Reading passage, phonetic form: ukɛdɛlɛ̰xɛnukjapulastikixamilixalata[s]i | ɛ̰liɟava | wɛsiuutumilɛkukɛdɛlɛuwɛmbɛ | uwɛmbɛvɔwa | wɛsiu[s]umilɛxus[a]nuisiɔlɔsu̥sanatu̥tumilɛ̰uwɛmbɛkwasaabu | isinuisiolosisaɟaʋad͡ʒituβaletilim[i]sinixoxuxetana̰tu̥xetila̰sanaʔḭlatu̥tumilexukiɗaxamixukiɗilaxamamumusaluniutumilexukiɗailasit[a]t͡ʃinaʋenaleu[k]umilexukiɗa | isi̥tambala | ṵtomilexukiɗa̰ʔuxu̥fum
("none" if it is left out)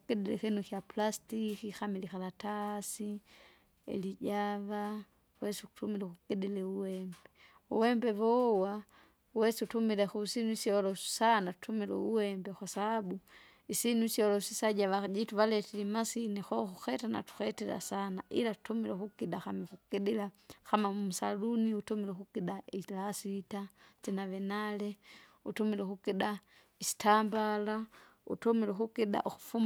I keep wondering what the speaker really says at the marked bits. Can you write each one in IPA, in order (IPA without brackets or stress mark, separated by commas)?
s, t, i, a, a, t